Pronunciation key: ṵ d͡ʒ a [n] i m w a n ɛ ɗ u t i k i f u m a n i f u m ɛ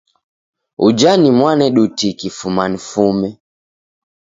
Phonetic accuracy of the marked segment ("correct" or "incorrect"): correct